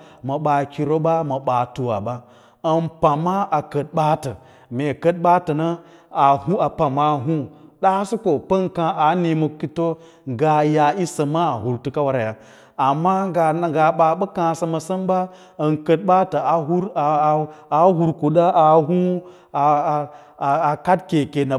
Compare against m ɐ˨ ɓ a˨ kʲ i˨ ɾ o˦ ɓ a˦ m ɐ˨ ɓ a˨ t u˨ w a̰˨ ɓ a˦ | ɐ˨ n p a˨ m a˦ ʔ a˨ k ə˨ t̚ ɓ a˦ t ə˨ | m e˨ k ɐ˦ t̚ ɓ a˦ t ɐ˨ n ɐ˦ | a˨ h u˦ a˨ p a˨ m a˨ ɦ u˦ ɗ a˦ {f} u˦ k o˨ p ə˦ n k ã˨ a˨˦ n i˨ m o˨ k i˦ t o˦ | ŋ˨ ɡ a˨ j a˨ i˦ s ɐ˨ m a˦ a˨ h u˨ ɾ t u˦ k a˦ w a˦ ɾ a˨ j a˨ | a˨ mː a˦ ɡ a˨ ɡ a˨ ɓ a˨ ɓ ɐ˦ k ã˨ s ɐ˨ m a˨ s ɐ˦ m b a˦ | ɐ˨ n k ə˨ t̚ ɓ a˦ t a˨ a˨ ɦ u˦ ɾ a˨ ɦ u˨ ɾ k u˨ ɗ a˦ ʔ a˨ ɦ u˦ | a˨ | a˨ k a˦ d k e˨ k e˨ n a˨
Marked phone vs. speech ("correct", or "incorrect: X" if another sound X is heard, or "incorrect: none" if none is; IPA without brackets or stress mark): incorrect: s